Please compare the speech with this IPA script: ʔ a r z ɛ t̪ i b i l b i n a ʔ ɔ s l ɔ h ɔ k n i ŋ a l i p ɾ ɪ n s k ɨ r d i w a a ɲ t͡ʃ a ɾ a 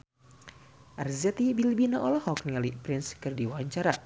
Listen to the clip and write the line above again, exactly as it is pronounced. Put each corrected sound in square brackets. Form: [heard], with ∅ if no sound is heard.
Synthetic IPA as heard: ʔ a r z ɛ t̪ i b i l b i n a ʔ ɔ [∅] l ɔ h ɔ k n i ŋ a l i p ɾ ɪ n s k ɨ r d i w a a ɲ t͡ʃ a ɾ a